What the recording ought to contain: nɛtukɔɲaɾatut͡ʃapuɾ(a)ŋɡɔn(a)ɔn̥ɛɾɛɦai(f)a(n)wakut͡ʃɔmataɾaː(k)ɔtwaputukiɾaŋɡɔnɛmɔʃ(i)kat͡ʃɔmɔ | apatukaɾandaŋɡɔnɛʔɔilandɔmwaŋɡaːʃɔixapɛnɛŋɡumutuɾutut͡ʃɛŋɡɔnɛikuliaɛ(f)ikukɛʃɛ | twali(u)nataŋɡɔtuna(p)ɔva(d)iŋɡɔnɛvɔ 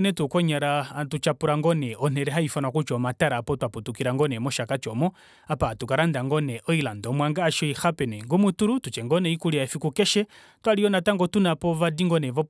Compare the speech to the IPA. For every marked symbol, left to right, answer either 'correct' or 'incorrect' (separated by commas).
correct, incorrect, correct, correct, incorrect, incorrect, correct, incorrect, correct, correct